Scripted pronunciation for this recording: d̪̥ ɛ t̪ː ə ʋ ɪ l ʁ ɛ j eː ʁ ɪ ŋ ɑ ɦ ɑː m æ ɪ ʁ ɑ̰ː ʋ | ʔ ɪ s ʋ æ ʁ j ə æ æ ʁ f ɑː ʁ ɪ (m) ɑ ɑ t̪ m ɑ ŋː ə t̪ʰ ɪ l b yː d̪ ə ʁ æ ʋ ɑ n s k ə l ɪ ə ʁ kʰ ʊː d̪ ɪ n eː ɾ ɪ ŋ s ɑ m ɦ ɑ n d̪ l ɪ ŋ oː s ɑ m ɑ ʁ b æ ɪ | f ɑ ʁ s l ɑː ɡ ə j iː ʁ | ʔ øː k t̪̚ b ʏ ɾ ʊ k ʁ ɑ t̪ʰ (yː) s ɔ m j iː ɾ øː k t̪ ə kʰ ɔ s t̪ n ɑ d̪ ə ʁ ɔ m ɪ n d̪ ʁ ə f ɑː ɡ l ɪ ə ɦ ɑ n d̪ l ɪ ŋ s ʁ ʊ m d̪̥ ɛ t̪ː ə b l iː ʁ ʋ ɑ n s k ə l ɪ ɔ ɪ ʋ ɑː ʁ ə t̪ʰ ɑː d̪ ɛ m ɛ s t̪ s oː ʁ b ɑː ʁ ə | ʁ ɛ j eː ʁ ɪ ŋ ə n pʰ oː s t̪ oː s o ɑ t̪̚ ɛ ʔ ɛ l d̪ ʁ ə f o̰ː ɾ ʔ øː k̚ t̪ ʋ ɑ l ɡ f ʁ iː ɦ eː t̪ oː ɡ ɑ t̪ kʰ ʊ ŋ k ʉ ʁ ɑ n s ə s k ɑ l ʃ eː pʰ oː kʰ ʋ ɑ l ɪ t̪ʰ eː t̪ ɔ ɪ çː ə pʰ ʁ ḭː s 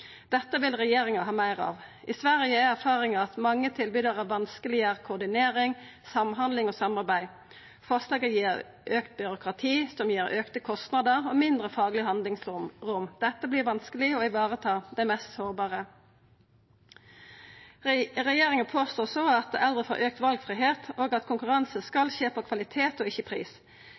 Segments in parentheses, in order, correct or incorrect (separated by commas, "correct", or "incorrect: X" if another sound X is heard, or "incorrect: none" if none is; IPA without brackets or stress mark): incorrect: ŋ, incorrect: iː